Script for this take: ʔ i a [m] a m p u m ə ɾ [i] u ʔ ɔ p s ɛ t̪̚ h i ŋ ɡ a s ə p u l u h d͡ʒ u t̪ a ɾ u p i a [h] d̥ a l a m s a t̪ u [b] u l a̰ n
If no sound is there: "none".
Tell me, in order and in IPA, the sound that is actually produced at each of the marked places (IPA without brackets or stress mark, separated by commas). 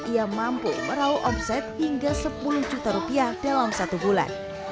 m, a, h, b